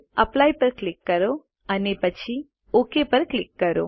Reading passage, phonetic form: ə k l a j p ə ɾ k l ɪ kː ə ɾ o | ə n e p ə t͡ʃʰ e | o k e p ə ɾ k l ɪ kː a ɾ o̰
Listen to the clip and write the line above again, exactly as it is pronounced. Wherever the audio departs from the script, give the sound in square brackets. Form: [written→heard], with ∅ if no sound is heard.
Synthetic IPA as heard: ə [k→p] l a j p ə ɾ k l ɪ kː ə ɾ o | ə n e p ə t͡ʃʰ [e→i] | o k e p ə ɾ k l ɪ kː [a→ə] ɾ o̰

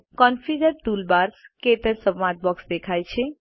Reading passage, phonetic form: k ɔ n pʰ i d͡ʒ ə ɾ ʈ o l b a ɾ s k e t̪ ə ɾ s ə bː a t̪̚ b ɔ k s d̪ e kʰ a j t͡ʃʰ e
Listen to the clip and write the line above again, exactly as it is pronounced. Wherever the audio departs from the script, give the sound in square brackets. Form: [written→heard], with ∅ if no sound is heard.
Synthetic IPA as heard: k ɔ n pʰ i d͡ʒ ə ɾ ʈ [o→u] l b a ɾ s k e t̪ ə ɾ s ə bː a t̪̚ b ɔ k s d̪ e kʰ a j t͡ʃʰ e

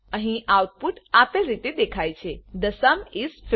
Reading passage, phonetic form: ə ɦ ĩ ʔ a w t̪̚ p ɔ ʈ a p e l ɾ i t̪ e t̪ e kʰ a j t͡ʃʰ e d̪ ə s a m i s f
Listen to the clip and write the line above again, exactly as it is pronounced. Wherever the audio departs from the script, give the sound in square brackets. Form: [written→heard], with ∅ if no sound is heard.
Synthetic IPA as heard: ə ɦ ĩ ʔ a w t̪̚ p [ɔ→u] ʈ a p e l ɾ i t̪ e [t̪→d̪] e kʰ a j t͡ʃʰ e d̪ ə s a m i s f

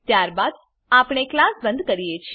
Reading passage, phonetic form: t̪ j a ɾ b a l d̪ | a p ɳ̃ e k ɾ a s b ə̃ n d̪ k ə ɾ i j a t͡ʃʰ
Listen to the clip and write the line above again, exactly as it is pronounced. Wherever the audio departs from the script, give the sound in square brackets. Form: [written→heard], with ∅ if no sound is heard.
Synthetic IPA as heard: t̪ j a ɾ b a [l→∅] d̪ | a p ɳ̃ e k [ɾ→l] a s b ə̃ n d̪ k ə ɾ i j [a→e] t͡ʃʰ

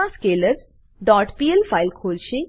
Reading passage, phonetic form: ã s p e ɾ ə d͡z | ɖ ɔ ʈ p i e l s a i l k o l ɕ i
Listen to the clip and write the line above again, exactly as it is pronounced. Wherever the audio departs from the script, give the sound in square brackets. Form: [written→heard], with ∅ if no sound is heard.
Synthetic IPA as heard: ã s [p→k] e [ɾ→l] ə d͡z | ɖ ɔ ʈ p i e l [s→f] a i l [k→kʰ] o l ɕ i

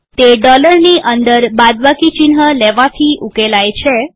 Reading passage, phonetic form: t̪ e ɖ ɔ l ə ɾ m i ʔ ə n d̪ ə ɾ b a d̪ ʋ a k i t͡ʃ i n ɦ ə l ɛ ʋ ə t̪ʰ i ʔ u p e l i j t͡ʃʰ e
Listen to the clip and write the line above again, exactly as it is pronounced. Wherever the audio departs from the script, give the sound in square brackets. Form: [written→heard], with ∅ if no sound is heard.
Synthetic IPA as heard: t̪ e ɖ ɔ l ə ɾ [m→n] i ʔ ə n d̪ ə ɾ b a d̪ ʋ a k i t͡ʃ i n ɦ ə l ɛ ʋ [ə→a] t̪ʰ i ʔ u [p→k] e l [i→a] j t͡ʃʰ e

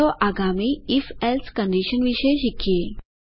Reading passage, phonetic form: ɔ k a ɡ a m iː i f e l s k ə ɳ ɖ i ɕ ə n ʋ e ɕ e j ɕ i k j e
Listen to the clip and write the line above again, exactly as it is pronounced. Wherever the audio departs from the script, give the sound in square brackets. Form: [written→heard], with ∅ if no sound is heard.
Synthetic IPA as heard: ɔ [k→ʔ] a ɡ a m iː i f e l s k ə ɳ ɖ i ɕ ə n ʋ [e→i] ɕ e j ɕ i k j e

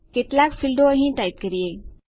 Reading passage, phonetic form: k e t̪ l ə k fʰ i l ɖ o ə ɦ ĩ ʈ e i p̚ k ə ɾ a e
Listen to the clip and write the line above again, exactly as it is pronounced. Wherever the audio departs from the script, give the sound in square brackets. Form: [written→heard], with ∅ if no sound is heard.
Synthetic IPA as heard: k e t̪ l [ə→a] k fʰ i l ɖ o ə ɦ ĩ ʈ [e→a] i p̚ k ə ɾ [a→i] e

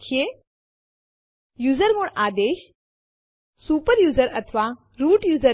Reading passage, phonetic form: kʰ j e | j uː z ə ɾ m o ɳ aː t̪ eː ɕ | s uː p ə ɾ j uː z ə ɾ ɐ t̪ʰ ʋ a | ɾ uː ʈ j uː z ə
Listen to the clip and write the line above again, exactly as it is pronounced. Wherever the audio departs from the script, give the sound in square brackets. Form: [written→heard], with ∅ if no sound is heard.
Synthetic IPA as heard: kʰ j e | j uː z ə ɾ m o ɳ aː [t̪→d̪] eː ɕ | s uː p ə ɾ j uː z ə ɾ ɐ t̪ʰ ʋ a | ɾ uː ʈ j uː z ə

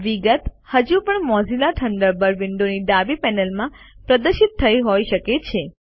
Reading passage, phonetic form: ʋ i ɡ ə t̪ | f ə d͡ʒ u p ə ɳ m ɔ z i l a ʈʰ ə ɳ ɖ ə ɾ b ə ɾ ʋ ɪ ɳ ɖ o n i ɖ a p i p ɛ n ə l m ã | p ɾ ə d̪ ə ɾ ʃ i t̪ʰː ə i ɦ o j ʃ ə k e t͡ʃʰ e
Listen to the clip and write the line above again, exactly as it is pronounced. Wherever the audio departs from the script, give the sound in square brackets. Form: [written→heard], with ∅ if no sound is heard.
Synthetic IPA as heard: ʋ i ɡ ə t̪ | [f→h] ə d͡ʒ u p ə ɳ m ɔ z i l a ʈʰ ə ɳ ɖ ə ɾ b ə ɾ ʋ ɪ ɳ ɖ o n i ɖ a [p→b] i p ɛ n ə l m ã | p ɾ ə d̪ ə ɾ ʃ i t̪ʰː ə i ɦ o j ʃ ə k e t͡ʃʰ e

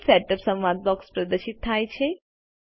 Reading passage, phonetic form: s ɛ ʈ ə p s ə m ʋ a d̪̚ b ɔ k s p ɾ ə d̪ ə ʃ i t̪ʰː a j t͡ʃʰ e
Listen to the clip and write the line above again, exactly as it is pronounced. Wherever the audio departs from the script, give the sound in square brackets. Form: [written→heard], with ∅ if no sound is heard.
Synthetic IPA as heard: s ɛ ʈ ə p s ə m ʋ a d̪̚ b ɔ k s p ɾ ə d̪ ə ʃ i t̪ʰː a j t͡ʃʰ e

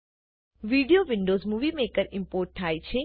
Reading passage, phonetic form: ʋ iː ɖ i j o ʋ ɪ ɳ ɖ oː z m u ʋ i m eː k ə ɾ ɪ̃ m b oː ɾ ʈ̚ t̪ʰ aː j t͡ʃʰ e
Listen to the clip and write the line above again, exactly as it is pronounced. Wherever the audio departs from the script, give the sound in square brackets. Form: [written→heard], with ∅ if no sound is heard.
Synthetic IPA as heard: ʋ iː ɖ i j o ʋ ɪ ɳ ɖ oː z m u ʋ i m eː k ə ɾ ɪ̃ m [b→p] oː ɾ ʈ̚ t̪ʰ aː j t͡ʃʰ e

